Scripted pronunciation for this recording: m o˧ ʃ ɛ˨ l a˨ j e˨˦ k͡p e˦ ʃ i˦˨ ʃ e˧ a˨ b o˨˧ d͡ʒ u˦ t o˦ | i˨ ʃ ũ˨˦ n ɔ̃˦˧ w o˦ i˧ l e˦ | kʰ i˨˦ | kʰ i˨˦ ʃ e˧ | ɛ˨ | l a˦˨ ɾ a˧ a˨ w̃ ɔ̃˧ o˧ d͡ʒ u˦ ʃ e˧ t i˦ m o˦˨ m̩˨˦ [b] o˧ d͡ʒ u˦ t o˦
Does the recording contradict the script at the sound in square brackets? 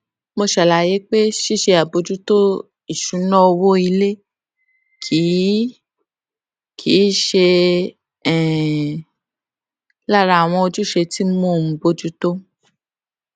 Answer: no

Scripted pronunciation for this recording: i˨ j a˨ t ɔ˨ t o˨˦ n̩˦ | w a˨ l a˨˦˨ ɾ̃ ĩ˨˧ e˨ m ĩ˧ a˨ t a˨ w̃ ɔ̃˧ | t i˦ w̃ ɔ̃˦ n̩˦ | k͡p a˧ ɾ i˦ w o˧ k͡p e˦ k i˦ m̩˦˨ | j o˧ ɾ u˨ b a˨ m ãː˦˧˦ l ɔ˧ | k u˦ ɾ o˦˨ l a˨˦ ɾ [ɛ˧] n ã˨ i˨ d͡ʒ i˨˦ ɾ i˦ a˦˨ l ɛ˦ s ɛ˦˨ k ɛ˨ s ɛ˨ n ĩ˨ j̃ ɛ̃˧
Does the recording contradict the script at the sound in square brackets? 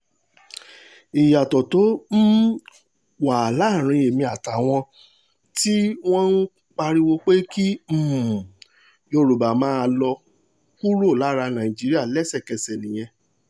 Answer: yes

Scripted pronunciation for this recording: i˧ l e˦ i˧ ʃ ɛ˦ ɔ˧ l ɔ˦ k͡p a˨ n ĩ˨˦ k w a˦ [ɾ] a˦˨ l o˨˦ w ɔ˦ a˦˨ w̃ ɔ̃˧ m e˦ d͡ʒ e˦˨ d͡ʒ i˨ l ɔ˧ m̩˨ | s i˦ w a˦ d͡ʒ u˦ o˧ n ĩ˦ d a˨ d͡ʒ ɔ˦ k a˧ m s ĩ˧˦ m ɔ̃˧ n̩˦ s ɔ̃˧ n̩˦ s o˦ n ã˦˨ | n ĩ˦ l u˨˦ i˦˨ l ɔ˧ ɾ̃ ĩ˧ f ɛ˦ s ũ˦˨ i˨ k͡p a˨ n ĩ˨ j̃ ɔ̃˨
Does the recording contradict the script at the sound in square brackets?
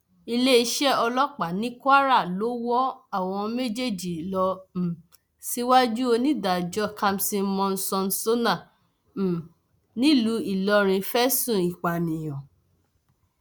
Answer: no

